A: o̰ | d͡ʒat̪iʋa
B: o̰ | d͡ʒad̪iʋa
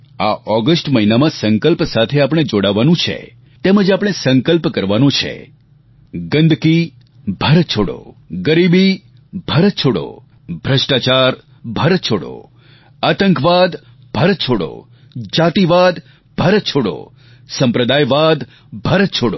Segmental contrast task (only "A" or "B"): A